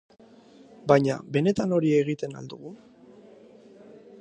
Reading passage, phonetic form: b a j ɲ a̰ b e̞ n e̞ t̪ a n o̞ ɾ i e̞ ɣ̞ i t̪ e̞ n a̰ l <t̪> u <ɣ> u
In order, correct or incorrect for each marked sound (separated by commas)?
incorrect, correct